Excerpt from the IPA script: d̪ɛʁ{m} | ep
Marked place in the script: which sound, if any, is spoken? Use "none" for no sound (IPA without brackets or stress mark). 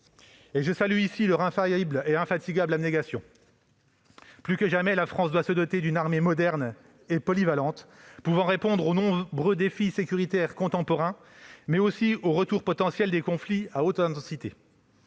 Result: n